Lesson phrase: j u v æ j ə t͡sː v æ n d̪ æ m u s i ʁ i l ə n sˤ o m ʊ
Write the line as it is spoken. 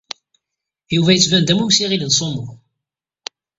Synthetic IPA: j u v æ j ə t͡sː v æ n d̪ æ m u s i ʁ i l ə n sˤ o m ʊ